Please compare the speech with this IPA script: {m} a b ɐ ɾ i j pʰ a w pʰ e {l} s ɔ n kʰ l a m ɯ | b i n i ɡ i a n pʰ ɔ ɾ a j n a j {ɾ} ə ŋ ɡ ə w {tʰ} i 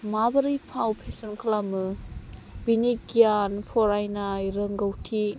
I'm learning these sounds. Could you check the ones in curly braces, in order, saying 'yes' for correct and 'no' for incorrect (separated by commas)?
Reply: yes, no, yes, yes